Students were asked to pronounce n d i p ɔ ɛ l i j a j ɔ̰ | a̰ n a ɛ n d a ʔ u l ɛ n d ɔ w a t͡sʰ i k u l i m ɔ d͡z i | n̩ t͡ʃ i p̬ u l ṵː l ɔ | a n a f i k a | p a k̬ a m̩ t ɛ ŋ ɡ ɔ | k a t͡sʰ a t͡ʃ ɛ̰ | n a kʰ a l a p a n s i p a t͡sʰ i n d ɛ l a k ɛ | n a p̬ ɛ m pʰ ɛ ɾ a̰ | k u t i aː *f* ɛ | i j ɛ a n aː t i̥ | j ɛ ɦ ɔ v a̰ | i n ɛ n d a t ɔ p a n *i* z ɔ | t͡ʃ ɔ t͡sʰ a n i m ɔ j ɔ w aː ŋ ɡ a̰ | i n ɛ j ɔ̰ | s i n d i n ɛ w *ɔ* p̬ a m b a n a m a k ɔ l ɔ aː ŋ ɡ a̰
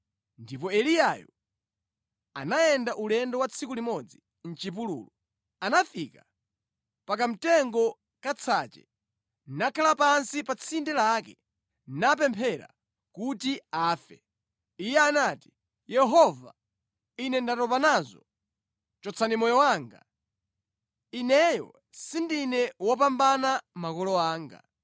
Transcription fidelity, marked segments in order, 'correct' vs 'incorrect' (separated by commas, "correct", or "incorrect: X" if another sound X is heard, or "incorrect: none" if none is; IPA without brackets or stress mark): correct, incorrect: a, correct